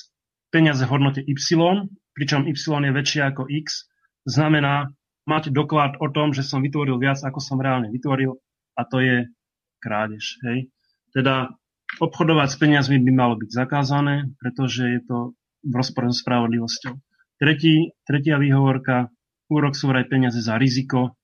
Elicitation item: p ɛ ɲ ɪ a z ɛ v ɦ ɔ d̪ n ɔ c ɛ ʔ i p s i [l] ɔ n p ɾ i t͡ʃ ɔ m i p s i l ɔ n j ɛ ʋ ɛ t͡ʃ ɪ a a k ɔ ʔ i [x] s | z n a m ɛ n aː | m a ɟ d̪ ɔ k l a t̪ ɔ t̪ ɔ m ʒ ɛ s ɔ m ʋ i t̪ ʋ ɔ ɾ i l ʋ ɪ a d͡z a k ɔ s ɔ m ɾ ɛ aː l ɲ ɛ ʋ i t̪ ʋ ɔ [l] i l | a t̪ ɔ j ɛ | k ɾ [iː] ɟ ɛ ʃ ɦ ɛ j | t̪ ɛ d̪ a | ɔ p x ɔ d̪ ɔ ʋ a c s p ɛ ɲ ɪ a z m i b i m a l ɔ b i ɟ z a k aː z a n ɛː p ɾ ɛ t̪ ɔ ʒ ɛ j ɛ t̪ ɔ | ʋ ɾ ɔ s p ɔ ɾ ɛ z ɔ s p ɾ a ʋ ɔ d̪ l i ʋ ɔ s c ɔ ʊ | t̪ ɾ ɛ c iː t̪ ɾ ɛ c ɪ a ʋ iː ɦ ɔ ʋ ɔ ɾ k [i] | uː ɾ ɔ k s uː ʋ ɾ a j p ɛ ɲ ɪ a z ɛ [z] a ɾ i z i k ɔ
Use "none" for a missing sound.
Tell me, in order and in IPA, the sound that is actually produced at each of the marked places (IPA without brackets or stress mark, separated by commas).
l, k, ɾ, aː, a, z